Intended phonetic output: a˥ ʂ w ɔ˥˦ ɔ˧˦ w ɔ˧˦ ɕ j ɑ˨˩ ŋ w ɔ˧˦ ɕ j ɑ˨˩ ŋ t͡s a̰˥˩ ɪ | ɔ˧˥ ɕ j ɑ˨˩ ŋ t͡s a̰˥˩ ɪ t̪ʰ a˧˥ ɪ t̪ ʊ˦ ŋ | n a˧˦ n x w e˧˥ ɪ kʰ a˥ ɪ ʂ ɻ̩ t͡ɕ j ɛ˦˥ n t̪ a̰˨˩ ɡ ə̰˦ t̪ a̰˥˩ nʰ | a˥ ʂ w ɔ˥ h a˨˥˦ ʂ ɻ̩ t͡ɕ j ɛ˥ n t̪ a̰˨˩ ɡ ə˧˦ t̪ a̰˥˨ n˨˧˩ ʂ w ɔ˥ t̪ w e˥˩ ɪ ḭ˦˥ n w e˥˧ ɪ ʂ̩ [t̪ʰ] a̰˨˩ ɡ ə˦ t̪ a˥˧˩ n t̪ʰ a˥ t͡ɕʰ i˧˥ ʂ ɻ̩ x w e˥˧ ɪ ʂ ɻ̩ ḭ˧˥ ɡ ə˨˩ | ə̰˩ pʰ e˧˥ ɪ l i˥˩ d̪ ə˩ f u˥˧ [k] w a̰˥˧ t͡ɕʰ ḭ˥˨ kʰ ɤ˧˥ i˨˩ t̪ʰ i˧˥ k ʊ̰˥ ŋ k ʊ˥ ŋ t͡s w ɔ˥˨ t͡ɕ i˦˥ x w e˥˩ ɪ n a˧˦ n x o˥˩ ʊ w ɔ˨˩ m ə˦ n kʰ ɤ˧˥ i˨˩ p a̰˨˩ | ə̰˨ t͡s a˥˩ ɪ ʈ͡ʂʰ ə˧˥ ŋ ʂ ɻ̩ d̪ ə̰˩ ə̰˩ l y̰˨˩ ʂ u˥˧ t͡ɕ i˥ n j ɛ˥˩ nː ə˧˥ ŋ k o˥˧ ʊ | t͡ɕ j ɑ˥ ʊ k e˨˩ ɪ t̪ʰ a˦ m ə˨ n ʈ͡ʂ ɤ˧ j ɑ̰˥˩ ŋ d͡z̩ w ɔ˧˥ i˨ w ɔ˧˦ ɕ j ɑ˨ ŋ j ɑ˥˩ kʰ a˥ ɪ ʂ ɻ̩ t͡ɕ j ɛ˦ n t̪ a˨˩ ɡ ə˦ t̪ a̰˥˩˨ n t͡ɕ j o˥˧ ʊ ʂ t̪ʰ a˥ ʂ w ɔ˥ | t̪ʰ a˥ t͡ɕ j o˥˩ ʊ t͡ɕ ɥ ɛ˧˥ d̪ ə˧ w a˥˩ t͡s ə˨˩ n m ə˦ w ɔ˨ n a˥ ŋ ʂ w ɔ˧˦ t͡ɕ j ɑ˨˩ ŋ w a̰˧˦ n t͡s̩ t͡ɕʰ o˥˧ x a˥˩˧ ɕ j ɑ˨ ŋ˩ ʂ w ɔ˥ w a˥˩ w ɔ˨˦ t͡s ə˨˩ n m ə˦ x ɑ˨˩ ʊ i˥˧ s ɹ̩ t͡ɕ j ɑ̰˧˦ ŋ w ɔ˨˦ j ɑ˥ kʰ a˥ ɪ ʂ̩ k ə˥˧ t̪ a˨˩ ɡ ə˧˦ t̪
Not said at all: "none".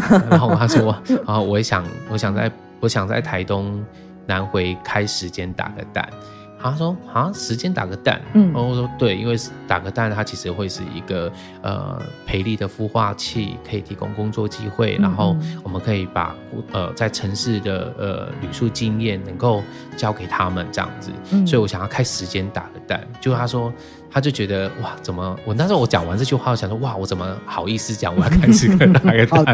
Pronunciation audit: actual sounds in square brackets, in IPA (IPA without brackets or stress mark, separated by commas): t̪, x